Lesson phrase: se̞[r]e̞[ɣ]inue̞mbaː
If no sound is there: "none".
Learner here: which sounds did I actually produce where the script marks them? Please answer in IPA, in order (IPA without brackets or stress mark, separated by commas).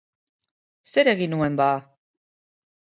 ɾ, ɣ